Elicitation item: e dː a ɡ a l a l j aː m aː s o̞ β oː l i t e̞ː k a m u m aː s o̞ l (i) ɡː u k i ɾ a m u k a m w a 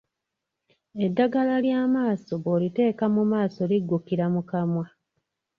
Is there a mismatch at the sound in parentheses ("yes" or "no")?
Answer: no